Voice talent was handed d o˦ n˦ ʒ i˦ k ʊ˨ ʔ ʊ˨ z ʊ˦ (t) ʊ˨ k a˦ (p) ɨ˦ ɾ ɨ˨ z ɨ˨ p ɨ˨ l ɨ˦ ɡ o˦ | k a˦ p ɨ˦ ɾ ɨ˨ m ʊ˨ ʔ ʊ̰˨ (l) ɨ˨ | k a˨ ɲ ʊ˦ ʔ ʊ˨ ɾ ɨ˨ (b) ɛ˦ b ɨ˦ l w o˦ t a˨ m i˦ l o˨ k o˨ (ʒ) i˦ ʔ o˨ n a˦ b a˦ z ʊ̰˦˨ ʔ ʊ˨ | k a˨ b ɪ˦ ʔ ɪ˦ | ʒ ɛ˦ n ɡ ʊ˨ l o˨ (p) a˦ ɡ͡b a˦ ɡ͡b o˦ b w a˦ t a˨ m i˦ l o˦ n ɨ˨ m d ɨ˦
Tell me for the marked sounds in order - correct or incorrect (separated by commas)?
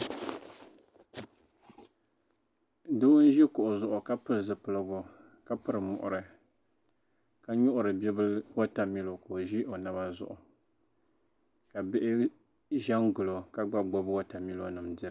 incorrect, correct, incorrect, correct, correct, incorrect